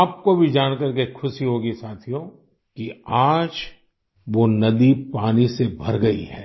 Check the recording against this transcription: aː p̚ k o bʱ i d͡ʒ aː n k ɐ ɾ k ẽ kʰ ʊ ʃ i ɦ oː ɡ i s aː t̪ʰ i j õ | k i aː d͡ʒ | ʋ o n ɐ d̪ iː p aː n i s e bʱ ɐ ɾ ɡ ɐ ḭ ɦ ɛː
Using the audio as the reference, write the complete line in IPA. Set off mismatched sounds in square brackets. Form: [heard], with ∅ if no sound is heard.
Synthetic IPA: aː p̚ k o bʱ i d͡ʒ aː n k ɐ ɾ k [e] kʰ ʊ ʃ i ɦ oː ɡ i s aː t̪ʰ i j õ | k i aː d͡ʒ | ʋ o n ɐ d̪ [i] p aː n i s e bʱ ɐ ɾ ɡ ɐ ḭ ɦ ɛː

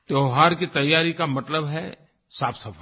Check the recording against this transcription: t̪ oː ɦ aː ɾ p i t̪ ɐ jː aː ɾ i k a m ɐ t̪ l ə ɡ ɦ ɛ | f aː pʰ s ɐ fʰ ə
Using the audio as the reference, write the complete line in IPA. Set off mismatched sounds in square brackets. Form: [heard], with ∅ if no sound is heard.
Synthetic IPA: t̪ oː ɦ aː ɾ [k] i t̪ ɐ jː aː ɾ i k a m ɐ t̪ l ə [b] ɦ ɛ | [s] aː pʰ s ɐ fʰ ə

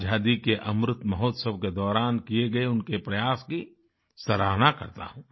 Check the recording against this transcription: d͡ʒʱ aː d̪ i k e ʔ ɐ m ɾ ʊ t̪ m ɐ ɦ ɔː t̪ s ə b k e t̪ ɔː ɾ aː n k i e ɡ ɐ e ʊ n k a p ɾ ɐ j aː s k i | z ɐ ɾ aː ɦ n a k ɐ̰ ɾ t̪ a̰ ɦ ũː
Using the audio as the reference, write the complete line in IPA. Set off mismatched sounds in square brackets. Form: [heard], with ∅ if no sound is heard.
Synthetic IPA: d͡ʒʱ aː d̪ i k e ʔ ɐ m ɾ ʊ t̪ m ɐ ɦ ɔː t̪ s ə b k e [d̪] ɔː ɾ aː n k i e ɡ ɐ e ʊ n k [e] p ɾ ɐ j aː s k i | [s] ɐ ɾ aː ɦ n a k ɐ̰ ɾ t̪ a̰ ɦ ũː

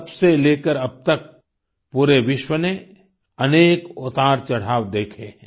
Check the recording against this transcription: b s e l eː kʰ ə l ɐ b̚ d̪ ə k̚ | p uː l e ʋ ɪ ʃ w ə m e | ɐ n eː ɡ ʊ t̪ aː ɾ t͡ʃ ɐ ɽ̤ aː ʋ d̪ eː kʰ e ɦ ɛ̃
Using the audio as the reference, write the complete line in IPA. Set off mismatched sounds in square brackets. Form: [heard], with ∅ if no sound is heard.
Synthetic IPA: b s e l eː [k] ə [ɾ] ɐ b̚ [t̪] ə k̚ | p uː [ɾ] e ʋ ɪ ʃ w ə [n] e | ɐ n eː [k] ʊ t̪ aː ɾ t͡ʃ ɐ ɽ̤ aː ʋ d̪ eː kʰ e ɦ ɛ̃

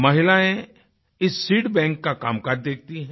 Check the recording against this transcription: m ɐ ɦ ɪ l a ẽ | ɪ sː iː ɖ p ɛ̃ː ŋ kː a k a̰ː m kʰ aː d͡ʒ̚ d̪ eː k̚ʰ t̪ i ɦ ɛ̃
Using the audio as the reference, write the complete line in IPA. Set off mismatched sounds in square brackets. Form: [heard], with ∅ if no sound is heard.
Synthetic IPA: m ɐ ɦ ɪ l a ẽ | ɪ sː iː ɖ [b] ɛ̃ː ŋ kː a k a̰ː m [k] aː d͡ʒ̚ d̪ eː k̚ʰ t̪ i ɦ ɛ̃

